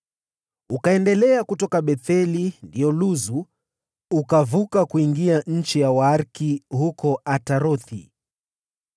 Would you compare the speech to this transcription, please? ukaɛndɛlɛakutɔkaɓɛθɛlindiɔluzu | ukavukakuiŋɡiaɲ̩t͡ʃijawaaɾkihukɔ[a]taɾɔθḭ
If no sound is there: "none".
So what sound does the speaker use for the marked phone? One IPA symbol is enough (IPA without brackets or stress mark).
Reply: a